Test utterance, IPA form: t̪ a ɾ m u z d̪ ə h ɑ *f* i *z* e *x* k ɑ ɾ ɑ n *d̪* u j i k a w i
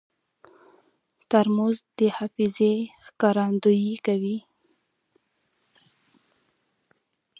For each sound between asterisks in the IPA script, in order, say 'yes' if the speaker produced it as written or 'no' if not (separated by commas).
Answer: yes, yes, yes, yes